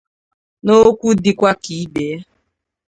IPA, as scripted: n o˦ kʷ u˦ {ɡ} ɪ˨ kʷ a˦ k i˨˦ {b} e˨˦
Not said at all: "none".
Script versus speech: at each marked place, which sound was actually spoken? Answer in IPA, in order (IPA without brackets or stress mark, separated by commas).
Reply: d, b